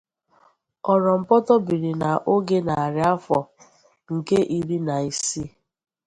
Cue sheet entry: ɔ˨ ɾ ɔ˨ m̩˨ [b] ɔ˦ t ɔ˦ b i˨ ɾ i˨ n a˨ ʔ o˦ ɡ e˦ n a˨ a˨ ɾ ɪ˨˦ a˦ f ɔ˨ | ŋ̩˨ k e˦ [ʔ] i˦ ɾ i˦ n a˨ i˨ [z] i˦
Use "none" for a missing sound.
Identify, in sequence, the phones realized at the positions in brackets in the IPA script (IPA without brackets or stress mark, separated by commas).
p, ʔ, s